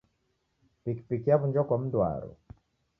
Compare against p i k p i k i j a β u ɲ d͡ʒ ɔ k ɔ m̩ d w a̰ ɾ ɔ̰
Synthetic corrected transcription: p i k p i k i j a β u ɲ d͡ʒ ɔ k ɔ m̩ d w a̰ ɾ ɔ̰